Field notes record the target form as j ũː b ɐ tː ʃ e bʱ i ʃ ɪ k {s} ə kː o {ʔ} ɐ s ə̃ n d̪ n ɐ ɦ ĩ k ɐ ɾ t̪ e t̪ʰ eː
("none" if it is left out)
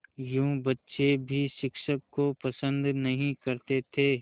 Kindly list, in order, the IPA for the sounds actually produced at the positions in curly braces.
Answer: ʃ, p

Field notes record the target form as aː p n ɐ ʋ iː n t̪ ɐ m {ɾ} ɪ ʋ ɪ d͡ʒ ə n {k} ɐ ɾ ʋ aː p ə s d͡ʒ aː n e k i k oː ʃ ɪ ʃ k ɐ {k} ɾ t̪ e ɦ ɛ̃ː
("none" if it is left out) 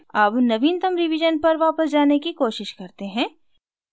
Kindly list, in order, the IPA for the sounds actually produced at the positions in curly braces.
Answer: ɾ, p, none

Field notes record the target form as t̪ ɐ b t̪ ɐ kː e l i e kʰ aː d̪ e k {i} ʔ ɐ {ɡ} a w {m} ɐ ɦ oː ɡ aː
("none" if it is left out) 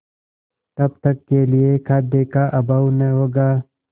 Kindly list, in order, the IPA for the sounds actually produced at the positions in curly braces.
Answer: a, b, n

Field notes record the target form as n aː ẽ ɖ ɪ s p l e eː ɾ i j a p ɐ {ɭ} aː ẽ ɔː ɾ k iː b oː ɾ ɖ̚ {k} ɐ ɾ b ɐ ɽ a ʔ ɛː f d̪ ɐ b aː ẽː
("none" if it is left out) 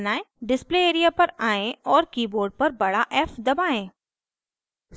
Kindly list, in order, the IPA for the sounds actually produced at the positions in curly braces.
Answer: ɾ, p

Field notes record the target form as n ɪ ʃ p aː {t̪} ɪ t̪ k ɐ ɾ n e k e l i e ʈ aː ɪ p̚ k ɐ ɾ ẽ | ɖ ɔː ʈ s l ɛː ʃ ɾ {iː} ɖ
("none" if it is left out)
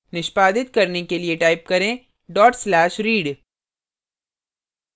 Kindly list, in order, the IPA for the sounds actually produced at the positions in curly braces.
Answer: d̪, iː

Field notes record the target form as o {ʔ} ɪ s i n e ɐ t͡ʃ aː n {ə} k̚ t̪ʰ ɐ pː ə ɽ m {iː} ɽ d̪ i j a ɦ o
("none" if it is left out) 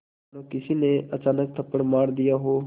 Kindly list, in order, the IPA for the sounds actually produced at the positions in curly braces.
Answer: k, ə, aː

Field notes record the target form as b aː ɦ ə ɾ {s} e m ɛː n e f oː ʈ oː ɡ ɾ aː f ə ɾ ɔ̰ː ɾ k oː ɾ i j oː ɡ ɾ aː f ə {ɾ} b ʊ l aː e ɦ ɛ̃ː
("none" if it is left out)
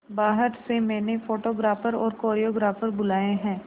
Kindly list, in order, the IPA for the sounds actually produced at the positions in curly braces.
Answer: s, ɾ

